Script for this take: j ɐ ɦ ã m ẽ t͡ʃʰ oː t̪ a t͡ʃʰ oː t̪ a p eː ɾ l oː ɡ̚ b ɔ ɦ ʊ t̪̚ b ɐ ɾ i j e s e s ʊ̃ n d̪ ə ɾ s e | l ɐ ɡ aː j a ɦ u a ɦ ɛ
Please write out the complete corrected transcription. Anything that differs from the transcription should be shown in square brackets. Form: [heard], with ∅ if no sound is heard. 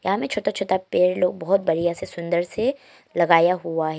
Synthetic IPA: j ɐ ɦ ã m ẽ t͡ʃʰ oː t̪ a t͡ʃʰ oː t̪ a p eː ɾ l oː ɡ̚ b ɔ ɦ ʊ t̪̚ b ɐ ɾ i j [a] s e s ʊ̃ n d̪ ə ɾ s e | l ɐ ɡ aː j a ɦ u a ɦ ɛ